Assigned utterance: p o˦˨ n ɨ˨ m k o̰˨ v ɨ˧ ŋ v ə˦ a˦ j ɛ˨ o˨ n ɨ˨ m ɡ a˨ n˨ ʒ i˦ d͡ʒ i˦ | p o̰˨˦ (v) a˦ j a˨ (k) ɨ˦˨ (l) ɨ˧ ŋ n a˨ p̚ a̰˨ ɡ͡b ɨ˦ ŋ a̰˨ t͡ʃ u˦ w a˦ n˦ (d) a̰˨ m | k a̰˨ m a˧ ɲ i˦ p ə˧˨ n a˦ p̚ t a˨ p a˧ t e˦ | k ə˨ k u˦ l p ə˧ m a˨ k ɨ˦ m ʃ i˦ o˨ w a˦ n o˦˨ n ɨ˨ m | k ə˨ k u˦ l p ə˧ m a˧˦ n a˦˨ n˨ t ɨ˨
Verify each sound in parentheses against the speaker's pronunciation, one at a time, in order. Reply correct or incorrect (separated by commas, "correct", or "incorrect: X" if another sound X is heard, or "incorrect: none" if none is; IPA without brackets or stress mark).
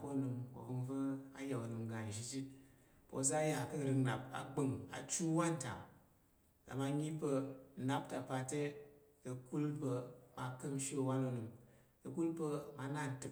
incorrect: z, correct, incorrect: ɾ, incorrect: t